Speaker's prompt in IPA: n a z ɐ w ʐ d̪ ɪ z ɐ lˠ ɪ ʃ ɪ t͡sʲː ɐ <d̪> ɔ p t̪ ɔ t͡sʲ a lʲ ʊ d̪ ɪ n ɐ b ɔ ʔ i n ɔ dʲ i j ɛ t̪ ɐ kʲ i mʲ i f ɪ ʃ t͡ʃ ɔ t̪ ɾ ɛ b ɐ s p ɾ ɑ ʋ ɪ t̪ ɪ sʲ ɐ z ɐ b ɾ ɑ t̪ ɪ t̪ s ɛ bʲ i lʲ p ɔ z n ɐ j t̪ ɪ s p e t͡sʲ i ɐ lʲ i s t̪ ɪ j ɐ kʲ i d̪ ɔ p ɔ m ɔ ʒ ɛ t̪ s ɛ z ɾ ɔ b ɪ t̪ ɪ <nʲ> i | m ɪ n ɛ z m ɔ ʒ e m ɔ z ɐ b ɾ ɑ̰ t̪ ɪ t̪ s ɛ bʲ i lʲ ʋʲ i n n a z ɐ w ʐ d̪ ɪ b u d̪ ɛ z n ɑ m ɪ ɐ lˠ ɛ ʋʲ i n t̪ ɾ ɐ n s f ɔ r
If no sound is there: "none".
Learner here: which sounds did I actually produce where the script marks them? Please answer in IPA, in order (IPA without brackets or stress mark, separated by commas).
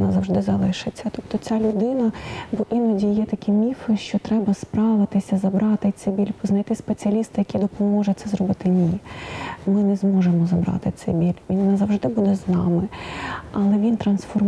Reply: t̪, nʲ